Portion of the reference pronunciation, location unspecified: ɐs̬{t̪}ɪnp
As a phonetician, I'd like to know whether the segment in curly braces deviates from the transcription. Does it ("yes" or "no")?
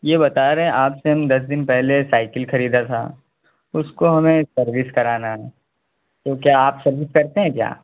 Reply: yes